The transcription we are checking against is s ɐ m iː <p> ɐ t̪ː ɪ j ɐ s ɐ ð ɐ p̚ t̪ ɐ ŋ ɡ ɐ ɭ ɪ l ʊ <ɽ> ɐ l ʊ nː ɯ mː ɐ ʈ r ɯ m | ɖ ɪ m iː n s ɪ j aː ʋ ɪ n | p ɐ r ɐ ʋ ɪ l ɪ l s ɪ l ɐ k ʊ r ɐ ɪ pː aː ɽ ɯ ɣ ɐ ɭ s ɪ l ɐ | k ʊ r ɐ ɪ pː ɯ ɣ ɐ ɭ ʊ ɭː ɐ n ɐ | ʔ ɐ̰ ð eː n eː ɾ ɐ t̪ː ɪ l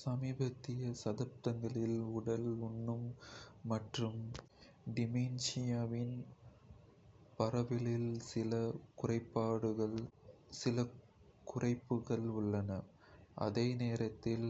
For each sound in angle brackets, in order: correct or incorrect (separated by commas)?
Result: incorrect, correct